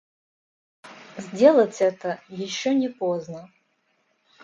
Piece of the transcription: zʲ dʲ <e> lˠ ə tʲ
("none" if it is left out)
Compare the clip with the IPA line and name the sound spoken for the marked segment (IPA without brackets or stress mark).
e